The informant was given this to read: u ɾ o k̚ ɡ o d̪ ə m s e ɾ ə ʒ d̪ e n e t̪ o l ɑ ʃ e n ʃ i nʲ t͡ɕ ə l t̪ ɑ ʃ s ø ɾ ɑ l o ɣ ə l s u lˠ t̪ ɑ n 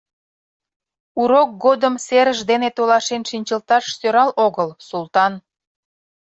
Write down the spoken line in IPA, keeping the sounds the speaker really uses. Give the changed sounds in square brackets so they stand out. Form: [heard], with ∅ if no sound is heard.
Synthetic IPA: u ɾ o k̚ ɡ o d̪ ə m s e ɾ ə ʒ d̪ e n e t̪ o l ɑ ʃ e n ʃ i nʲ t͡ɕ ə l t̪ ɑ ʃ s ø ɾ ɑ l o ɣ ə l s u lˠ t̪ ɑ n